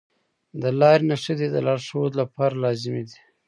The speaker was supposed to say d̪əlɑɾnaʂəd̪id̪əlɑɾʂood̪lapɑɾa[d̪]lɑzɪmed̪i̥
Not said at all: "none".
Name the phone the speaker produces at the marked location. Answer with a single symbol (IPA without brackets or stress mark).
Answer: none